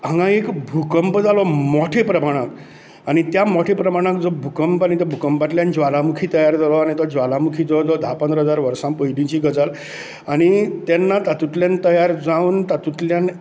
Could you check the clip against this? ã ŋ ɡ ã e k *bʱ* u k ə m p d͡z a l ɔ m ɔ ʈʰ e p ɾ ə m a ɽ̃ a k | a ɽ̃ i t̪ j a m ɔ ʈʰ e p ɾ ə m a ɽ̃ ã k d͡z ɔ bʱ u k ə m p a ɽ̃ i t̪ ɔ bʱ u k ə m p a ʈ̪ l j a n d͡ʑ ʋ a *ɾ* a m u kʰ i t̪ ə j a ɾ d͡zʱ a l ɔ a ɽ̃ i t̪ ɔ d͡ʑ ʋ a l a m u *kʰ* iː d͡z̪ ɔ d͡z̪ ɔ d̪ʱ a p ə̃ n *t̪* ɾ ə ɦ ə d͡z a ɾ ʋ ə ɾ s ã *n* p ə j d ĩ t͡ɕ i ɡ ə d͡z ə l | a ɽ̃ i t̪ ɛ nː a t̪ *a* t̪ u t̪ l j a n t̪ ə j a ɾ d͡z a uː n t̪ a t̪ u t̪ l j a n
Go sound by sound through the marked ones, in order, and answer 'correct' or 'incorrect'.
correct, incorrect: l, correct, incorrect: d̪, incorrect: m, correct

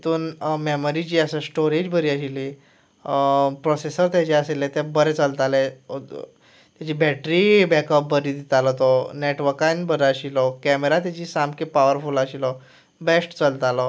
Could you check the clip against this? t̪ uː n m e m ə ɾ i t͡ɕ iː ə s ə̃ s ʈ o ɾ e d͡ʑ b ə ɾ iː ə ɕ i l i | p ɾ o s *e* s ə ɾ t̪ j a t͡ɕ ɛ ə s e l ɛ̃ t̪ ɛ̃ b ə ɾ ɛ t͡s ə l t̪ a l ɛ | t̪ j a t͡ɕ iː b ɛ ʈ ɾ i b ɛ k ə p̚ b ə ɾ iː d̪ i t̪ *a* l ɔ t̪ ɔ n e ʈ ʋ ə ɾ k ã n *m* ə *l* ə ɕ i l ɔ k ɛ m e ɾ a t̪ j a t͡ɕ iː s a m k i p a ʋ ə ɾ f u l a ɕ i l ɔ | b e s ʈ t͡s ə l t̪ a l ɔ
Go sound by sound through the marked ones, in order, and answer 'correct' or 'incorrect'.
correct, correct, incorrect: b, incorrect: ɾ

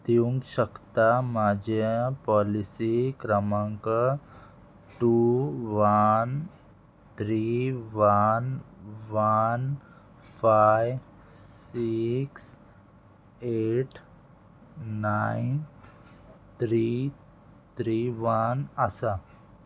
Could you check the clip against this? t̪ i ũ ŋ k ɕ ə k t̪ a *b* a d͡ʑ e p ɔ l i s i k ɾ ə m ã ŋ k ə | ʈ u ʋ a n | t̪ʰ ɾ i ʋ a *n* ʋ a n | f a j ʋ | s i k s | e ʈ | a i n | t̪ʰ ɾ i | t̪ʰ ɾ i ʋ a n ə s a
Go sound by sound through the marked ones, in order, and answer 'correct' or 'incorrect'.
incorrect: m, correct

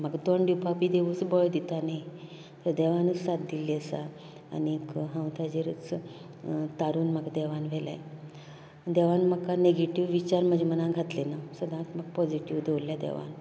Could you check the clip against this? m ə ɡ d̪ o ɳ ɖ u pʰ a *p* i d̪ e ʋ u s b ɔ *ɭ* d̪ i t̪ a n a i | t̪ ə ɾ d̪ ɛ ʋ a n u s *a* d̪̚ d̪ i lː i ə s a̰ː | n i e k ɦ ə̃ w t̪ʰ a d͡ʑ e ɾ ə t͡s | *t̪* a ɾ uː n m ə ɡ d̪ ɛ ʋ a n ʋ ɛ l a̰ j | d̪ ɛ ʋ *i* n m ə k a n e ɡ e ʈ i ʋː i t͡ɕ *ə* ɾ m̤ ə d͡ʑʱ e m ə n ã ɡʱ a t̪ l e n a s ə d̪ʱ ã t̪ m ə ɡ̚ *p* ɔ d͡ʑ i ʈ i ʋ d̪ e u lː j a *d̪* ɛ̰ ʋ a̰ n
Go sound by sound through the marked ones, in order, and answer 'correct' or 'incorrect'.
correct, correct, correct, correct, incorrect: a, incorrect: a, correct, correct

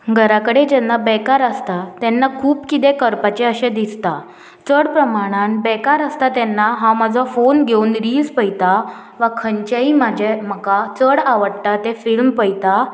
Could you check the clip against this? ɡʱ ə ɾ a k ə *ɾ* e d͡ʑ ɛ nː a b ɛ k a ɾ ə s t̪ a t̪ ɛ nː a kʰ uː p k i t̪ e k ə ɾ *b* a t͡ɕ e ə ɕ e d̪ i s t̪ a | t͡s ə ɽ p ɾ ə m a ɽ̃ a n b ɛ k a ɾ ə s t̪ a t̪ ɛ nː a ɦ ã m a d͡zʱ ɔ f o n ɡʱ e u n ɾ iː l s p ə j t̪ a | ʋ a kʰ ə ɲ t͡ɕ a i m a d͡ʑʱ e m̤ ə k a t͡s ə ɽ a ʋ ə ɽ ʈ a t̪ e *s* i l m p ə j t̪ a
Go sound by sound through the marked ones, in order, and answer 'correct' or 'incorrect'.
incorrect: ɽ, incorrect: p, incorrect: f

